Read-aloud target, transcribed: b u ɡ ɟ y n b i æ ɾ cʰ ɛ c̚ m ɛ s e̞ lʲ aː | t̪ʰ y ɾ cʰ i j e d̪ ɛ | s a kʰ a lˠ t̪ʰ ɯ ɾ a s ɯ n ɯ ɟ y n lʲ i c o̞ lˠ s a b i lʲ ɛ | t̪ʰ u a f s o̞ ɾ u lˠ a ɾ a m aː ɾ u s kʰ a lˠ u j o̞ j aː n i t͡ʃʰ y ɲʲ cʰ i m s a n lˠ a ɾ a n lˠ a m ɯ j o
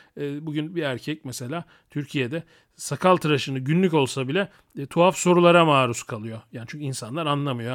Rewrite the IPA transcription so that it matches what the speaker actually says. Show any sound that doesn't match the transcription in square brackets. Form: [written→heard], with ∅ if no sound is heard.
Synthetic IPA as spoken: b u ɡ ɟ y n b i æ ɾ cʰ ɛ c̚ m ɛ s e̞ lʲ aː | t̪ʰ y ɾ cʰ i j e d̪ ɛ | s a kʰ a lˠ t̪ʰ ɯ ɾ a [s→ʃ] ɯ n ɯ ɟ y n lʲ [i→y] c o̞ lˠ s a b i lʲ ɛ | t̪ʰ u a f s o̞ ɾ u lˠ a ɾ a m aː ɾ u s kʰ a lˠ [u→ɯ] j o̞ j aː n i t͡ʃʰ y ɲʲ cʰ i [m→n] s a n lˠ a ɾ a n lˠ a m ɯ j o